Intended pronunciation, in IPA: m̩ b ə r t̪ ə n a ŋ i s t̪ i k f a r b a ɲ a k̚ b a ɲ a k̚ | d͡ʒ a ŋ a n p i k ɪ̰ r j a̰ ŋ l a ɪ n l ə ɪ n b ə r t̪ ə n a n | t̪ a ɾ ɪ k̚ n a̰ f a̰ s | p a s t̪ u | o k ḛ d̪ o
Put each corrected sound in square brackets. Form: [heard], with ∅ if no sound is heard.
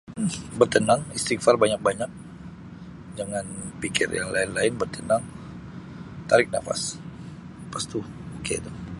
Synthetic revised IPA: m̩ b ə r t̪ ə n a ŋ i s t̪ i k f a r b a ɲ a k̚ b a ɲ a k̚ | d͡ʒ a ŋ a n p i k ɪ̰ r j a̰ ŋ l a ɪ n l [a] ɪ n b ə r t̪ ə n a [ŋ] | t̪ a ɾ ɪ k̚ n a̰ f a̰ s | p a s t̪ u | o k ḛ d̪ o